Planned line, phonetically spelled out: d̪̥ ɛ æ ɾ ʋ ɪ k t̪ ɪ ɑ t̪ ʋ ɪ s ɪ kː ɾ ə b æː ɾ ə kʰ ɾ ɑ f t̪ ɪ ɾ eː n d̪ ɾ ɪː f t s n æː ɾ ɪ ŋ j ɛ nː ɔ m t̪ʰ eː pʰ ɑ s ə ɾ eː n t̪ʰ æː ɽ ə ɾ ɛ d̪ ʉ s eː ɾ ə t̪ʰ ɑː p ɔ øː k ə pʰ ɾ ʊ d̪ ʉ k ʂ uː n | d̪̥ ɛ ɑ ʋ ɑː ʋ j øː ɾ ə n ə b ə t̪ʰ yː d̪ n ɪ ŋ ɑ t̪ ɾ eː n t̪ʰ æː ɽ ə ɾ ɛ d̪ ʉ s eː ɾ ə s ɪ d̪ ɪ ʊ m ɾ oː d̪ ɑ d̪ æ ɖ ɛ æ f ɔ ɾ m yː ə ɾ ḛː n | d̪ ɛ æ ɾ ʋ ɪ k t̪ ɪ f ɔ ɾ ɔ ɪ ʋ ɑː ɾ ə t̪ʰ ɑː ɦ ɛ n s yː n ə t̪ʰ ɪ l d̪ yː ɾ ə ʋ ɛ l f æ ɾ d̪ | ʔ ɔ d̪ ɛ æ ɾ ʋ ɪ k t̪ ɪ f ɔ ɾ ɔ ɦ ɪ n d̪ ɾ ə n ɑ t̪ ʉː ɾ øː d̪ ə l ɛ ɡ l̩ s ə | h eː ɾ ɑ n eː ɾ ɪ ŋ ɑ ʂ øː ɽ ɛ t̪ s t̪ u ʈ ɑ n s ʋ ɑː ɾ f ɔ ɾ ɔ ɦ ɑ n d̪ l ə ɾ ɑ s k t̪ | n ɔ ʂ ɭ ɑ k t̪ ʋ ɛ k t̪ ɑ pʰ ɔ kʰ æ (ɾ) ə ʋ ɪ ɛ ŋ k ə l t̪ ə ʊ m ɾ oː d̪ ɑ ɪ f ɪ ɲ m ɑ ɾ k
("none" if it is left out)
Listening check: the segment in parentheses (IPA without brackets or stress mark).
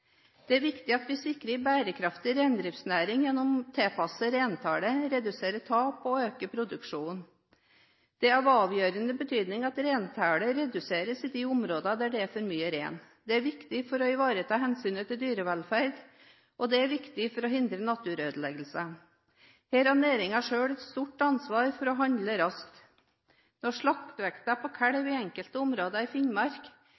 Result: ɽ